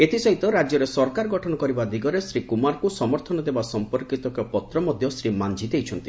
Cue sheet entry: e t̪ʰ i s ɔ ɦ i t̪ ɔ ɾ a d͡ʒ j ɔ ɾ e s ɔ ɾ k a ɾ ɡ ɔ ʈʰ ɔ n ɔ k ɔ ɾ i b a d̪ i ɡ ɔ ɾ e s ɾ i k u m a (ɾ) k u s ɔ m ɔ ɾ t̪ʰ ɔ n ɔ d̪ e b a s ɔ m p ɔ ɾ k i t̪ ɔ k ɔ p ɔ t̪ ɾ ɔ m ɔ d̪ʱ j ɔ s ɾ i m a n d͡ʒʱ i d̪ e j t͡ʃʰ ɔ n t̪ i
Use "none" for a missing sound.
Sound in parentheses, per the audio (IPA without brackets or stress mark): ɾ